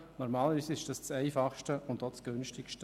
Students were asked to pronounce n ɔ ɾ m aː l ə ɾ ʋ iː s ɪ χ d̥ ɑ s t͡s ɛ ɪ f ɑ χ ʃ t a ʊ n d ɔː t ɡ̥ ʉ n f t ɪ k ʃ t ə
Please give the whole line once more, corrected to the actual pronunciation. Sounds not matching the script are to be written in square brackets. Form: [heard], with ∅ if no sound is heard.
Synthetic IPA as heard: n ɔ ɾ m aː l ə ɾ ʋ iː s ɪ [ʃ] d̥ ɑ s t͡s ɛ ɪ f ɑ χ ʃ t [ə] ʊ n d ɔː [t͡s] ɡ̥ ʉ n [ʃ] t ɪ k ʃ t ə